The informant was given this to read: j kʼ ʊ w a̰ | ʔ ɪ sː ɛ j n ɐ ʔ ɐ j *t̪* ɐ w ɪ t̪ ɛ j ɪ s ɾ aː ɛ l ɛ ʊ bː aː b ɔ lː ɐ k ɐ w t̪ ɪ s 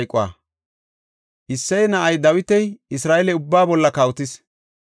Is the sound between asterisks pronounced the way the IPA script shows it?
no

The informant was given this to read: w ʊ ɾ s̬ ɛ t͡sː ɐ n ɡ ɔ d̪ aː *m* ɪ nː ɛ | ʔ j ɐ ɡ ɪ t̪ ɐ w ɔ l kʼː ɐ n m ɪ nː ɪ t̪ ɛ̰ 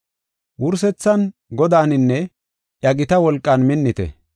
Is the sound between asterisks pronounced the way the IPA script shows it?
no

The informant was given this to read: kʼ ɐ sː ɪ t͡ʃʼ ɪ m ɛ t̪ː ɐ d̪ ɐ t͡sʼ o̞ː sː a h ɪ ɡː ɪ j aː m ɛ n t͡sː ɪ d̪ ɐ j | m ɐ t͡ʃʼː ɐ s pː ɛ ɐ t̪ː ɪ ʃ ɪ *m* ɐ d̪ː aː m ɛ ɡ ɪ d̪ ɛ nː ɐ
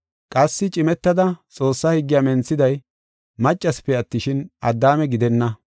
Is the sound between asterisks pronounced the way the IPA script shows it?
no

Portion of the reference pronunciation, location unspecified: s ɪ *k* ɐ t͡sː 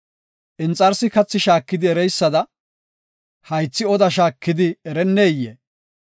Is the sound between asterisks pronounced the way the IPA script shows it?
yes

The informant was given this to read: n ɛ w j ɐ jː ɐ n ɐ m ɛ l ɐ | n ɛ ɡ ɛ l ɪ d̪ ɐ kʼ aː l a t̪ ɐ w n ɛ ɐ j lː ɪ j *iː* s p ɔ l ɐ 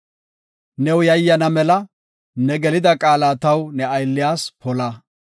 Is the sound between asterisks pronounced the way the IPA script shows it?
no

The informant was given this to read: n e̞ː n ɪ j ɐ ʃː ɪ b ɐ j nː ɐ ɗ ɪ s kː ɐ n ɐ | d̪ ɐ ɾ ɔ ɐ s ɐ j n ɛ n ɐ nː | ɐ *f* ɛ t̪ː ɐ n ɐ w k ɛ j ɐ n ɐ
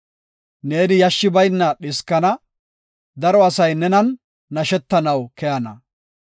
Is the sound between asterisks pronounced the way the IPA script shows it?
no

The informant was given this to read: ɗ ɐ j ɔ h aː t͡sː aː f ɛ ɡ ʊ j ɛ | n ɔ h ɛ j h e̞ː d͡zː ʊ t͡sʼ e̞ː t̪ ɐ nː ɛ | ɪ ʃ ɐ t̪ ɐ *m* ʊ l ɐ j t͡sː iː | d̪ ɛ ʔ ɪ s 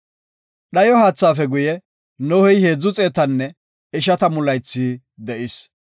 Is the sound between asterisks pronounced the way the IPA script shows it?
yes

